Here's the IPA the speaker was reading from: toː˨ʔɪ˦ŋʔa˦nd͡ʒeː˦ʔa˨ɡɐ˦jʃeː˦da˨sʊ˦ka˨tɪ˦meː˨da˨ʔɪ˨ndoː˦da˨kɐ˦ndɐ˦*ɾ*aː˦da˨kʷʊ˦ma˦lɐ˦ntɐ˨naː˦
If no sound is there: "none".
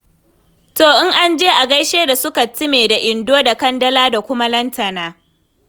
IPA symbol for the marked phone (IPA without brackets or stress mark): l